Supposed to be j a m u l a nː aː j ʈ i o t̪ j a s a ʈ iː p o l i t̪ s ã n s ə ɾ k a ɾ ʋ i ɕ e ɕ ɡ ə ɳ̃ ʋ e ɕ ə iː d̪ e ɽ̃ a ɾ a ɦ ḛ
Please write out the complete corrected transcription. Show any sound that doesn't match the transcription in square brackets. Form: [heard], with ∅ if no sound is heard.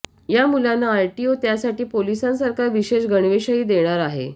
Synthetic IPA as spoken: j a m u l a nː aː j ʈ i o t̪ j a s a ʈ iː p o l i [∅] s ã n s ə ɾ k a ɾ ʋ i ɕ e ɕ ɡ ə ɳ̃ ʋ e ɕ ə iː d̪ e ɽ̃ a ɾ a ɦ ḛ